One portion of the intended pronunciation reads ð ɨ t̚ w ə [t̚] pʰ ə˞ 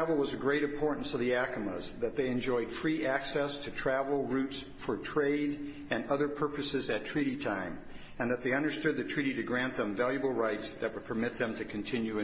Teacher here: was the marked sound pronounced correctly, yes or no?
no